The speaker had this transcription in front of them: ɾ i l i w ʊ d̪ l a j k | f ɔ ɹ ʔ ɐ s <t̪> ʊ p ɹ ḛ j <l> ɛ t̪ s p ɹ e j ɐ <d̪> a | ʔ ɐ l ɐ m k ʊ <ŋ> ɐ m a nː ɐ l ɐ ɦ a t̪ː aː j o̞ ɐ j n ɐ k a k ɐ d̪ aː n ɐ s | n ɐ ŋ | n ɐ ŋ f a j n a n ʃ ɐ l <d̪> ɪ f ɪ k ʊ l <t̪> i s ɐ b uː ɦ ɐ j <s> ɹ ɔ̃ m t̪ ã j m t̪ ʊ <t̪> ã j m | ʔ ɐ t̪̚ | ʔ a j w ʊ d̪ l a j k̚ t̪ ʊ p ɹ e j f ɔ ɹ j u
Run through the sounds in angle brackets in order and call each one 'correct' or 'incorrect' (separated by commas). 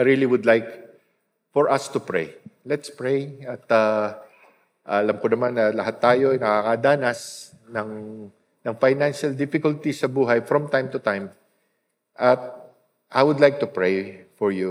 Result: correct, correct, incorrect, incorrect, correct, correct, incorrect, correct